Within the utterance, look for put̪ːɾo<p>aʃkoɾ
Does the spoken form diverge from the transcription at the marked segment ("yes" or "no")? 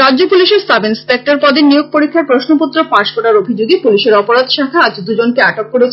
no